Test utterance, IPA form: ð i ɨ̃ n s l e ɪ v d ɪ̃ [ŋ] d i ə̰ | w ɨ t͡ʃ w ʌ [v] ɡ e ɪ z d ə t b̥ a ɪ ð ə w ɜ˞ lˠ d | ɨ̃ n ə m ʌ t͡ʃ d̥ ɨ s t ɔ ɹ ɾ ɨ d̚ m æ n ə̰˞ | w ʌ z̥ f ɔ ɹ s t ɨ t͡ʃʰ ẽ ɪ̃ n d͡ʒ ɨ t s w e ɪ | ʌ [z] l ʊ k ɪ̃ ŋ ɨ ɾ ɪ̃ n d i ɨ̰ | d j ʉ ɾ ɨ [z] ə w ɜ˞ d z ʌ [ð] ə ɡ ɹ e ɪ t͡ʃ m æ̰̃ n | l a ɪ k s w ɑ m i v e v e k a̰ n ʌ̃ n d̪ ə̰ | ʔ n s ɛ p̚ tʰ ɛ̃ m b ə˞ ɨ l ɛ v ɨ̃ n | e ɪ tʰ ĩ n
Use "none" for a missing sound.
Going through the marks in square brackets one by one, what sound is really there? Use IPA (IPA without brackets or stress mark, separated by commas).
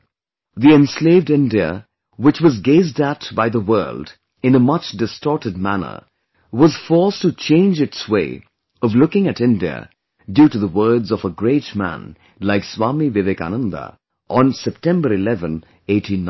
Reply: n, z, v, ð, v